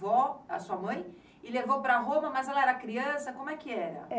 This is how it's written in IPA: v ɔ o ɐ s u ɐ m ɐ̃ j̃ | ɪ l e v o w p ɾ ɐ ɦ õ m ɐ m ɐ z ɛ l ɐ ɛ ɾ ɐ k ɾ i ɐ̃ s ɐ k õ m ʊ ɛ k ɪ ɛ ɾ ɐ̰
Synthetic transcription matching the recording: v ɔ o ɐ s u ɐ m ɐ̃ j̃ | ɪ l e v o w p ɾ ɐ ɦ õ m ɐ m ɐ z ɛ l ɐ ɛ ɾ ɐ k ɾ i ɐ̃ s ɐ k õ m ʊ ɛ k ɪ ɛ ɾ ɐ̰